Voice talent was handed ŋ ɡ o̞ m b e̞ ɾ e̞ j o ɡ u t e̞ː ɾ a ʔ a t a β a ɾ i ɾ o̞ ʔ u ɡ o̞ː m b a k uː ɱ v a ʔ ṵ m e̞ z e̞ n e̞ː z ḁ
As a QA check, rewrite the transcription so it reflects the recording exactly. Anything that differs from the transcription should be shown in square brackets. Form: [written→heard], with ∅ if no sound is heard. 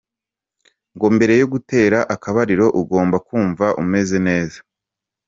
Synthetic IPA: ŋ ɡ o̞ m b e̞ ɾ e̞ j o ɡ u t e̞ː ɾ a ʔ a [t→k] a β a ɾ i ɾ o̞ ʔ u ɡ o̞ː m b a k uː ɱ v a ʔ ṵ m e̞ z e̞ n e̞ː z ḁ